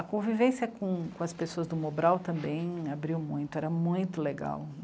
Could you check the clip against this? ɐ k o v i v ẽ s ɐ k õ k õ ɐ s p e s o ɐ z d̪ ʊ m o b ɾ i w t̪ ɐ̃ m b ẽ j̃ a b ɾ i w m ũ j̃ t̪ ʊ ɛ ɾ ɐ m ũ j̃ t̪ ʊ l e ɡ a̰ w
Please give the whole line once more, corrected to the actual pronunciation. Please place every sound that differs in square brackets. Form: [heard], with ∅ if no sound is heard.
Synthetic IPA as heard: ɐ k [õ] v i v ẽ s ɐ k õ k õ ɐ s p e s o ɐ z d̪ ʊ m o b ɾ [a] w t̪ ɐ̃ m b ẽ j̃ a b ɾ i w m ũ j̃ t̪ ʊ ɛ ɾ ɐ m ũ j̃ t̪ ʊ l e ɡ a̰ w